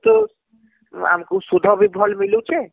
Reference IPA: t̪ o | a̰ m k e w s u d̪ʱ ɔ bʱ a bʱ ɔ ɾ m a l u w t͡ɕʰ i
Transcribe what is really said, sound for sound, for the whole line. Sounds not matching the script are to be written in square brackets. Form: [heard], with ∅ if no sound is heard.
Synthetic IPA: t̪ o | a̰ m k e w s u d̪ʱ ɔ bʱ [i] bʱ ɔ [l] m [i] l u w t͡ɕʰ [e]